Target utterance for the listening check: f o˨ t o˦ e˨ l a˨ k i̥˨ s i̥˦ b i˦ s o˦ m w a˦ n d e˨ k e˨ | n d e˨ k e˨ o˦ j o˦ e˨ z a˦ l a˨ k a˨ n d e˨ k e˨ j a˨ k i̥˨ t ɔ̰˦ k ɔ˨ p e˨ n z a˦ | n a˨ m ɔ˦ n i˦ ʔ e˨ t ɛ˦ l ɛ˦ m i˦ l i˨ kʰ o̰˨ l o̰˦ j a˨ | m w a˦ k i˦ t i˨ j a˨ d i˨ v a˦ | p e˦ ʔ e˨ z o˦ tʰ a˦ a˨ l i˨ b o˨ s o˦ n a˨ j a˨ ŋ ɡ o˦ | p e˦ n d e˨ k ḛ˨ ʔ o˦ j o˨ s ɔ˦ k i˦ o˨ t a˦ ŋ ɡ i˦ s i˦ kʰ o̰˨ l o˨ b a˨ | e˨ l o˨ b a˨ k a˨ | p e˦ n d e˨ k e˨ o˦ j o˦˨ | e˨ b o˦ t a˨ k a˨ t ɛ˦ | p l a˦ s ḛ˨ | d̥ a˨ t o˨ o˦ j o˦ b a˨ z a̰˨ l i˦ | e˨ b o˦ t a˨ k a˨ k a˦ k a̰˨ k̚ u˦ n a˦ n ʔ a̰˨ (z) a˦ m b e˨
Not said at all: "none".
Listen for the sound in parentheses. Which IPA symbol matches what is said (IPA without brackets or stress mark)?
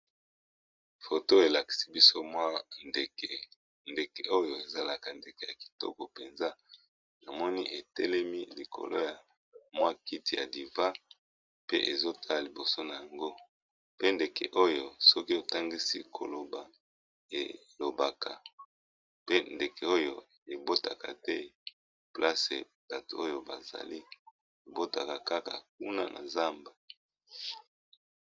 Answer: z